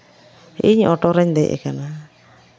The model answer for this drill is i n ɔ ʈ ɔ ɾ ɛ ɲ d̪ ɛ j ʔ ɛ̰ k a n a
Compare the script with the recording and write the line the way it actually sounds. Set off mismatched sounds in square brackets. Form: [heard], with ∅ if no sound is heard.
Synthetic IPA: i [ɲ] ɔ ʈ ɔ ɾ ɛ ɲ d̪ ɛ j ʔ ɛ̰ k a n a

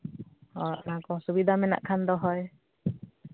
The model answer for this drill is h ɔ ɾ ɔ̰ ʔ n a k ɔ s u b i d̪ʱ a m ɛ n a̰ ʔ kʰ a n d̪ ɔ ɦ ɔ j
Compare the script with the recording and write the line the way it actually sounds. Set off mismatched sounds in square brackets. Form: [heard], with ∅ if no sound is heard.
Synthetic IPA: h ɔ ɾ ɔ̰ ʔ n a k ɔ s u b i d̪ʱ a m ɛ n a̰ ʔ kʰ a n d̪ ɔ ɦ ɔ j

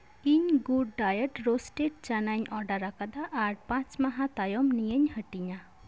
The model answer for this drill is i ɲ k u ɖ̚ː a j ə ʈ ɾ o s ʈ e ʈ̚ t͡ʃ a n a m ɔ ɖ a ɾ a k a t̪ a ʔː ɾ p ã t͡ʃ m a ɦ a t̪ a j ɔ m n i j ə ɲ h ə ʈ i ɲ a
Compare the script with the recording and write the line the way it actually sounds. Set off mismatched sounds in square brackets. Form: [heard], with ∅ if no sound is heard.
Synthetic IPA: i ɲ [ɡ] u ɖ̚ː a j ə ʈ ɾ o s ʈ e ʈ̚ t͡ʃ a n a [ɲ] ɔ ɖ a ɾ a k a [d̪] a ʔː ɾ p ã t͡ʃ m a ɦ a t̪ a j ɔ m n i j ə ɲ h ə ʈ i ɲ a

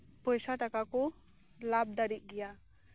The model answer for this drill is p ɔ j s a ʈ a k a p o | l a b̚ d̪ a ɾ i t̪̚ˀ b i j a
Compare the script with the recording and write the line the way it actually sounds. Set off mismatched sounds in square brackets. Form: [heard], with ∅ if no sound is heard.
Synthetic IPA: p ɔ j s a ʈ a k a [k] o | l a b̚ d̪ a ɾ i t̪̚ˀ [ɡ] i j a

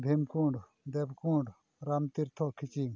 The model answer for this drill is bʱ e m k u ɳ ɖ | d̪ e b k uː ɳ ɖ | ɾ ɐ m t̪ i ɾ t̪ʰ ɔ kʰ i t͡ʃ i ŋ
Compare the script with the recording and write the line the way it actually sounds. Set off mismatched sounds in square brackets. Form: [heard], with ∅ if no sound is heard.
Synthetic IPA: bʱ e m k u ɳ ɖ | d̪ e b k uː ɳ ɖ | ɾ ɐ m t̪ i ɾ t̪ʰ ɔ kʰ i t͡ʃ i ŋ

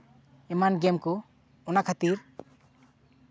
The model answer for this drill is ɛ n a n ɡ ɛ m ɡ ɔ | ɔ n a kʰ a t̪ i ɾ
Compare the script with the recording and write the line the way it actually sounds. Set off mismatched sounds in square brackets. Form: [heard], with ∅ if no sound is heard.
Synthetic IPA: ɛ [m] a n ɡ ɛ m [k] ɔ | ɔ n a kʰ a t̪ i ɾ

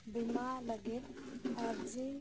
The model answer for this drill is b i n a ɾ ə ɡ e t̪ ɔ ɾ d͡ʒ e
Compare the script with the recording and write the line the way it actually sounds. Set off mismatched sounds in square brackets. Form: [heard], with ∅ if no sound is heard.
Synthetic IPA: b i [m] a [l] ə ɡ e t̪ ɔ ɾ d͡ʒ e

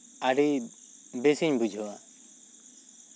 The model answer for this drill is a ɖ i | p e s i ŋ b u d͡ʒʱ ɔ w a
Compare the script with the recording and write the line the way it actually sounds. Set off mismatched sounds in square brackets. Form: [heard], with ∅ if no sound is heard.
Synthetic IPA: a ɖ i | [b] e s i [ɲ] b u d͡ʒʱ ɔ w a

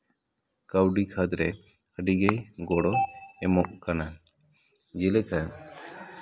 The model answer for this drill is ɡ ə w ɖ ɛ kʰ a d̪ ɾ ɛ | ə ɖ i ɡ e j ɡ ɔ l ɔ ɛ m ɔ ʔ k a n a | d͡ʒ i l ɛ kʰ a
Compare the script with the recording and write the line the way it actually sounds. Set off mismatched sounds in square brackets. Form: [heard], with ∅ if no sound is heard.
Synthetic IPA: [k] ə w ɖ [i] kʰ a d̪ ɾ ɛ | ə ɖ i ɡ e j ɡ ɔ [ɽ] ɔ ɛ m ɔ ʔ k a n a | d͡ʒ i l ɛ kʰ a

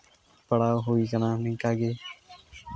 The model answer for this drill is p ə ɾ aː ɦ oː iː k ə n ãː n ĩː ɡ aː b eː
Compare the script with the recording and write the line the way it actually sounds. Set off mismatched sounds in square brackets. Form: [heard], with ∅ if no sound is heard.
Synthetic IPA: p ə [ɽ] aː ɦ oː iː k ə n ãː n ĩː [k] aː [ɡ] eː

